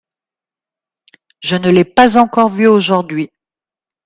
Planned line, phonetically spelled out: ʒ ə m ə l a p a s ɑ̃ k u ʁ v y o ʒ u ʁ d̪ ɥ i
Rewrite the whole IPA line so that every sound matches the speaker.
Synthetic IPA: ʒ ə n ə l ɛ p a z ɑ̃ k ɔ ʁ v y o ʒ u ʁ d̪ ɥ i